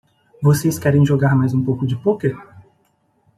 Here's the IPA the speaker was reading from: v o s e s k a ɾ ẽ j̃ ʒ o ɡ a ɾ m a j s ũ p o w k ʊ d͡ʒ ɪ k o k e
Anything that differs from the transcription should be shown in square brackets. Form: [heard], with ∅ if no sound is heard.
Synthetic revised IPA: v o s e s k [ɛ] ɾ ẽ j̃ ʒ o ɡ a ɾ m a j [z] ũ p o w k ʊ d͡ʒ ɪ [p] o k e